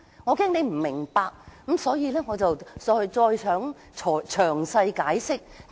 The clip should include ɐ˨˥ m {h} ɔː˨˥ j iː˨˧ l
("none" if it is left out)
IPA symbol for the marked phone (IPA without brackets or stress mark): s